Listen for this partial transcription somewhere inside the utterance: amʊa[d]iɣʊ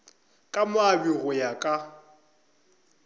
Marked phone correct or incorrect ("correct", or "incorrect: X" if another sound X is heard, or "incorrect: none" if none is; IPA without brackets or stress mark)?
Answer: incorrect: b